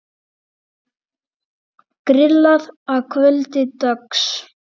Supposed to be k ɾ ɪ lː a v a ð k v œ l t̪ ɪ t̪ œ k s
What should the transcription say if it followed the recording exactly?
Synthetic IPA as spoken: k ɾ ɪ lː a ð a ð kʰ v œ l t̪ ɪ t̪ œ k s